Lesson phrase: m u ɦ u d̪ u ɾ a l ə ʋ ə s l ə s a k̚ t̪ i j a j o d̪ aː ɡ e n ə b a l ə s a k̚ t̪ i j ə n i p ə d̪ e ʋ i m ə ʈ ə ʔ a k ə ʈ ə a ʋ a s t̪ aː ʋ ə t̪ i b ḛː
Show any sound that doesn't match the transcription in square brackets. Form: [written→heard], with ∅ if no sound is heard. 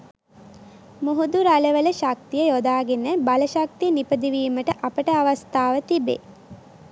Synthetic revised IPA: m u ɦ u d̪ u ɾ a l ə ʋ ə [s→∅] l ə [s→ʃ] a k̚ t̪ i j [a→ə] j o d̪ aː ɡ e n ə b a l ə [s→ʃ] a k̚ t̪ i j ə n i p ə d̪ [e→i] ʋ [i→iː] m ə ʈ ə ʔ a [k→p] ə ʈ ə a ʋ a s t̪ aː ʋ ə t̪ i b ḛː